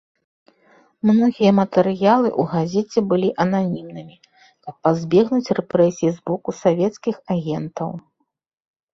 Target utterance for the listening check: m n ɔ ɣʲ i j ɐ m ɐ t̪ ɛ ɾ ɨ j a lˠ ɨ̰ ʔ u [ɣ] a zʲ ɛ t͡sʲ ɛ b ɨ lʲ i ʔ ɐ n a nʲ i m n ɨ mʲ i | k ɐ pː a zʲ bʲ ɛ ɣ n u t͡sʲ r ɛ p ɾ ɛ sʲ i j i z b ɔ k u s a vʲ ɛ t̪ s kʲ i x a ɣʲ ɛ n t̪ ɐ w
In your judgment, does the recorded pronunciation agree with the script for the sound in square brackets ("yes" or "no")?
yes